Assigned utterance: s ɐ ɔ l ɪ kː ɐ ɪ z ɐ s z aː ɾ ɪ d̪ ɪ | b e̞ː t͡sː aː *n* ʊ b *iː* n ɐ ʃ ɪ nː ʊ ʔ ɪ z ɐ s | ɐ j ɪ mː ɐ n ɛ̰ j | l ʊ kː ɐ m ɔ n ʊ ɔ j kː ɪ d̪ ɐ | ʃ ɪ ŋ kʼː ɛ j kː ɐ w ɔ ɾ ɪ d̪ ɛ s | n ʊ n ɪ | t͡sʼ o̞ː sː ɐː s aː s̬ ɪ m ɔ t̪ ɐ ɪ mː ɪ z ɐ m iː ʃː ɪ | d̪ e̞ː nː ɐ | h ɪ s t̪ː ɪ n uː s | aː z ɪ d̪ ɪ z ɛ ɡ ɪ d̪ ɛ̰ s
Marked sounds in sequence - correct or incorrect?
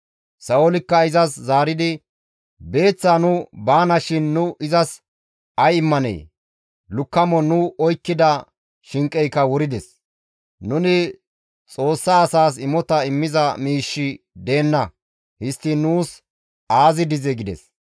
correct, incorrect: aː

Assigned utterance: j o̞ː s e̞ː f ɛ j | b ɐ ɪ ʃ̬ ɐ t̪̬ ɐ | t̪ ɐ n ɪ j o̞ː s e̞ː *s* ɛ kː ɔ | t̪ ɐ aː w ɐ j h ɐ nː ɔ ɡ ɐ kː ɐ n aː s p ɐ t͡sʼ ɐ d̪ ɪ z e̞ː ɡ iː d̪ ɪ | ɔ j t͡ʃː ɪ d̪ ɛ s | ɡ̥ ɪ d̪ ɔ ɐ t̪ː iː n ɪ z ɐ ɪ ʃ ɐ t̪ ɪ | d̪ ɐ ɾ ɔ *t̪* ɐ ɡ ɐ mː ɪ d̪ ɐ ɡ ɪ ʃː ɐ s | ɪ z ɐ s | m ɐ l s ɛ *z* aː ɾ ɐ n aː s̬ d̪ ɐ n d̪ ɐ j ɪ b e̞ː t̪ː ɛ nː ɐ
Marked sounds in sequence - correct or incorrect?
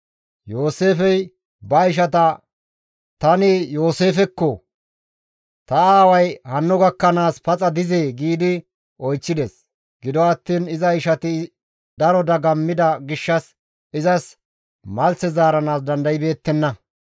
incorrect: f, incorrect: d̪, correct

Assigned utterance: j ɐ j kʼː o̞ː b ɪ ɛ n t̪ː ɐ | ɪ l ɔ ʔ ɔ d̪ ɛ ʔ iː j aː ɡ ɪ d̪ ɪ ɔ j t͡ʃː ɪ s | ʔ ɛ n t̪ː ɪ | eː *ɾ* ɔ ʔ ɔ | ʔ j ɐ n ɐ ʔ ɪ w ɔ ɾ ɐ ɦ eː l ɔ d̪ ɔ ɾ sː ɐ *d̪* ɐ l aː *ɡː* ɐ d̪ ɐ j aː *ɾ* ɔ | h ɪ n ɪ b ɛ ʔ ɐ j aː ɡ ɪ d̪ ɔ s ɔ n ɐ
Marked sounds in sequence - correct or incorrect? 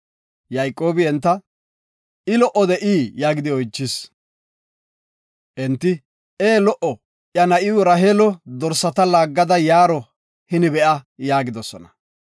incorrect: l, incorrect: t̪, correct, correct

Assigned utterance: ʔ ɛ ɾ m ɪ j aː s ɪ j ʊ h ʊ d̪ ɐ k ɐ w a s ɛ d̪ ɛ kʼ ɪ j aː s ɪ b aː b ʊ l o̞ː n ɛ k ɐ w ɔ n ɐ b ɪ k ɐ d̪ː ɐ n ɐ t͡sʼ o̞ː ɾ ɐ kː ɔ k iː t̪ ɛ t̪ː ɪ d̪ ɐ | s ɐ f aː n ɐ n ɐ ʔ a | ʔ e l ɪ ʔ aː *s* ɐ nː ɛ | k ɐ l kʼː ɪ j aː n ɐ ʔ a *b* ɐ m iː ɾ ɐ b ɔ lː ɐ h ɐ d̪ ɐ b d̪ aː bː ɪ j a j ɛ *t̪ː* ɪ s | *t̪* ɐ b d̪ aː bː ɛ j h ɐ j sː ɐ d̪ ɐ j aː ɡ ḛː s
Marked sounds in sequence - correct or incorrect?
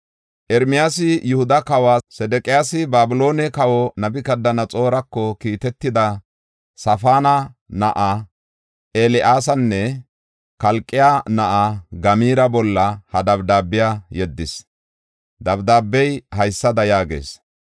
correct, incorrect: ɡ, incorrect: d̪ː, incorrect: d̪

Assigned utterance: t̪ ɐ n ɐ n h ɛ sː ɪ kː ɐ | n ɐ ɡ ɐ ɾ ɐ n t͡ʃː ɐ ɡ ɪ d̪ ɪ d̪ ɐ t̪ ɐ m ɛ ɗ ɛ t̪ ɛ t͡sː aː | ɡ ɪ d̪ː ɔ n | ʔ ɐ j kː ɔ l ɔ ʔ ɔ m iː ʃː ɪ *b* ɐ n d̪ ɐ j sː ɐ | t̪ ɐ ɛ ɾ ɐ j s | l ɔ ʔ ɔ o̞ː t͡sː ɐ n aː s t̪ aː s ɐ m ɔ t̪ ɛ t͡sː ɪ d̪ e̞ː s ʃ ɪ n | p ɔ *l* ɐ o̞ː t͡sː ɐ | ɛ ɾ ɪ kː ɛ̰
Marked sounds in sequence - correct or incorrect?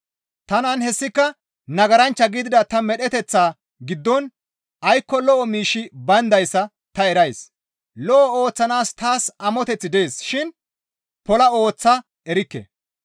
correct, correct

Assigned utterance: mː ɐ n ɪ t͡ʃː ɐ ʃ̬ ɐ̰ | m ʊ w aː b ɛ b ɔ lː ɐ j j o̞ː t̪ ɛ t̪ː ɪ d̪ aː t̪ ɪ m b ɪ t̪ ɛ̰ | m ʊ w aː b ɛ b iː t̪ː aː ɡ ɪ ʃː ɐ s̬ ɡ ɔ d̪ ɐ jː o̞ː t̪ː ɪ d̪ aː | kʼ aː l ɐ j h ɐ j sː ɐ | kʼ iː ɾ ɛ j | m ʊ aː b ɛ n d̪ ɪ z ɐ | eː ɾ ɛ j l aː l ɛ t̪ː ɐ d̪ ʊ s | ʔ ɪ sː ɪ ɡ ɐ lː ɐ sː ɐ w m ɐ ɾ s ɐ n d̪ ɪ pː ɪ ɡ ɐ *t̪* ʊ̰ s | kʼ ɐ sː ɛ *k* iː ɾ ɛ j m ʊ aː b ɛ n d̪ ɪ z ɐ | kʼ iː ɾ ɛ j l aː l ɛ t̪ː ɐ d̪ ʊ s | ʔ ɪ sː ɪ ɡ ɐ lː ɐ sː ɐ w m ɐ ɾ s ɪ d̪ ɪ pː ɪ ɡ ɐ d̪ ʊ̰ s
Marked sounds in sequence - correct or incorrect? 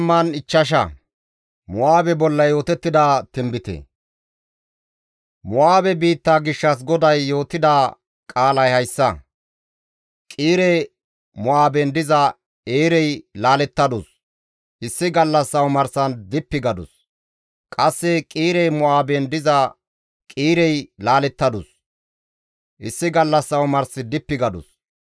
incorrect: d̪, incorrect: kʼ

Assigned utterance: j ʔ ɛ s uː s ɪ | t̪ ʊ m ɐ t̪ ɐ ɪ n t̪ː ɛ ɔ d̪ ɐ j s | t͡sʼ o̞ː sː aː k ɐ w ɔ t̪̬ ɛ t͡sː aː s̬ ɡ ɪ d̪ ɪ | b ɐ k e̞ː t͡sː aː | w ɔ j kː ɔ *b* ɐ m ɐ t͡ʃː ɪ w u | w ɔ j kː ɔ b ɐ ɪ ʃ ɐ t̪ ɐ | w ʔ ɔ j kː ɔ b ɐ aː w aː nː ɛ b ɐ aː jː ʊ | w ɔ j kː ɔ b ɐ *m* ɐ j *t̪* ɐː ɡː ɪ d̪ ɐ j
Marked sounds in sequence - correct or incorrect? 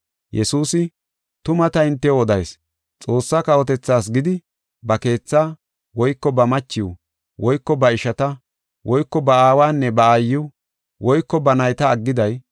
correct, incorrect: n, correct

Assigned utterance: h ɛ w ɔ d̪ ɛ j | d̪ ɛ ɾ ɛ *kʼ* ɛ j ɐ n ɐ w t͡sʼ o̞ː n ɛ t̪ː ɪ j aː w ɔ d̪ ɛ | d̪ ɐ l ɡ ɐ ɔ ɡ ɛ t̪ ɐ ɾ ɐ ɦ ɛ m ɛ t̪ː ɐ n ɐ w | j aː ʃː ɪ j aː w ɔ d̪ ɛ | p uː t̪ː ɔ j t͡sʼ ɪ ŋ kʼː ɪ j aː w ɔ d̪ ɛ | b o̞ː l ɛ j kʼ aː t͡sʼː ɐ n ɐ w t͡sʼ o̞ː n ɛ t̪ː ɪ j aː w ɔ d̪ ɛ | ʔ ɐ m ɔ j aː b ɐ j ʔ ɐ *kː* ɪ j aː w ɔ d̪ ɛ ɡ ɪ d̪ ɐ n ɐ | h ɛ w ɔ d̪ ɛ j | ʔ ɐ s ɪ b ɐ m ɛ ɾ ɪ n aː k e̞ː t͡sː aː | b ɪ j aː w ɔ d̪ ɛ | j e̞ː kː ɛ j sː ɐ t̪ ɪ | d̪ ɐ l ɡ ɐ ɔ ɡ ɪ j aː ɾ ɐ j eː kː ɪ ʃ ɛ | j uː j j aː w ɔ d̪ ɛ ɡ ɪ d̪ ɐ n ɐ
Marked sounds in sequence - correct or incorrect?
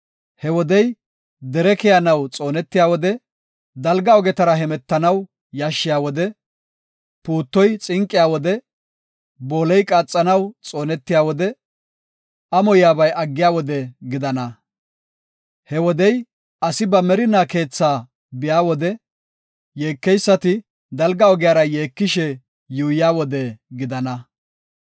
incorrect: k, incorrect: ɡː

